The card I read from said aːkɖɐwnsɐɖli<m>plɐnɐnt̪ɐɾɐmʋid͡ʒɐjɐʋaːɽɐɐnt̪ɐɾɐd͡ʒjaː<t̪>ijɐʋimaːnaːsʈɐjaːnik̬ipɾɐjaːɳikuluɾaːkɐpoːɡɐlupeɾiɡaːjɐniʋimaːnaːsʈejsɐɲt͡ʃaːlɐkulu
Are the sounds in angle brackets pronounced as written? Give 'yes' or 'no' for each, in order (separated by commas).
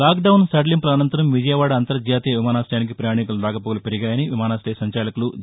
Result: yes, yes